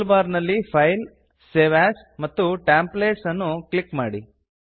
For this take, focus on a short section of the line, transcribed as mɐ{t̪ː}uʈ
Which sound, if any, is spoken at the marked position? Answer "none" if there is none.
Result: t̪ː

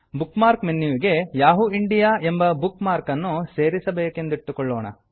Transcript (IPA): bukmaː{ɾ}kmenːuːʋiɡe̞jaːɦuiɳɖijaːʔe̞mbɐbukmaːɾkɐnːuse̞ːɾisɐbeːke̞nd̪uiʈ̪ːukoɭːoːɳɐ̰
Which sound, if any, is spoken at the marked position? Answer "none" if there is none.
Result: ɾ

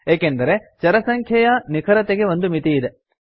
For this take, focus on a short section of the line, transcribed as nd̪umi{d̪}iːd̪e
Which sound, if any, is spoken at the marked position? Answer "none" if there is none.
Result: t̪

